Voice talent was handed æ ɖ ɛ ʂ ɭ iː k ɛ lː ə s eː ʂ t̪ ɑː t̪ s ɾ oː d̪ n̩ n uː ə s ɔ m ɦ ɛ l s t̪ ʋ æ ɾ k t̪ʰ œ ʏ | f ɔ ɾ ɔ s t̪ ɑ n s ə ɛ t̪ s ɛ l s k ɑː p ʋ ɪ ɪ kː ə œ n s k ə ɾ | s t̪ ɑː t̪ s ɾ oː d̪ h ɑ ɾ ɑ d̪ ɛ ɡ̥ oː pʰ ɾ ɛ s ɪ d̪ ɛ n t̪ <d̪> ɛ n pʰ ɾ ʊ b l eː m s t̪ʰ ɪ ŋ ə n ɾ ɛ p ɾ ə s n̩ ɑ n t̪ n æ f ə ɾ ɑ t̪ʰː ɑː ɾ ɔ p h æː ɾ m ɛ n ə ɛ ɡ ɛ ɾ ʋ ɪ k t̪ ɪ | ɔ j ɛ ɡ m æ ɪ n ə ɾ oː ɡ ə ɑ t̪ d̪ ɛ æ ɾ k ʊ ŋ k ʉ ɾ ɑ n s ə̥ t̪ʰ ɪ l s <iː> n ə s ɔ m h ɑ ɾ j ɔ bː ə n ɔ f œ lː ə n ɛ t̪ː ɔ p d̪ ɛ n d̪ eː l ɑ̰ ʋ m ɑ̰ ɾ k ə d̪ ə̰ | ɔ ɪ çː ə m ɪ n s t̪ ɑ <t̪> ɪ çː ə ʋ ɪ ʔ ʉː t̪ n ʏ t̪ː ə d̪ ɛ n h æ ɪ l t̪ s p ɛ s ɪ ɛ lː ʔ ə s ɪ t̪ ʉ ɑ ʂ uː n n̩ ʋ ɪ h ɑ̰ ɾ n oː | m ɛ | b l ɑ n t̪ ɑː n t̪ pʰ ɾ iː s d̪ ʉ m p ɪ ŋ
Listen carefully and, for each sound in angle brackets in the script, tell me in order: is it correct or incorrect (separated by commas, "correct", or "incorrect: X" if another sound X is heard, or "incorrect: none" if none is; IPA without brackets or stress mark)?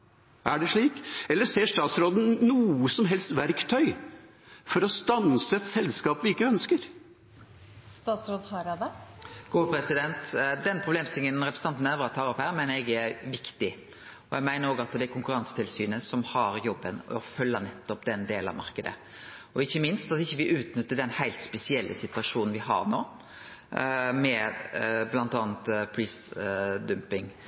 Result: correct, incorrect: yː, correct